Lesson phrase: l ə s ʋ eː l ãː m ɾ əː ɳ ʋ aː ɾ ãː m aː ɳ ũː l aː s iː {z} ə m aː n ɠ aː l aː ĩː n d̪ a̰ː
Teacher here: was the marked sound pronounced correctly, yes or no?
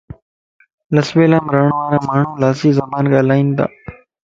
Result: yes